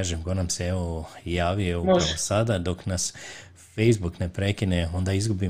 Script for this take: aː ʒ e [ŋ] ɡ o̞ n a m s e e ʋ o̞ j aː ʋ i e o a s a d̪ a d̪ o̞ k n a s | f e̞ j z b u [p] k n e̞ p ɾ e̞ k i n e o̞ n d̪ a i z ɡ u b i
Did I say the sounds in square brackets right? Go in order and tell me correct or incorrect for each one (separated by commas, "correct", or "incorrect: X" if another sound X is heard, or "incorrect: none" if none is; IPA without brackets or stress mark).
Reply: incorrect: m, incorrect: none